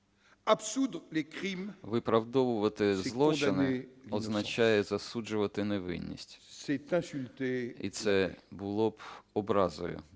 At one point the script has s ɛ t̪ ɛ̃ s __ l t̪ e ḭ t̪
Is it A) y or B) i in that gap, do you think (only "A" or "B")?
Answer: A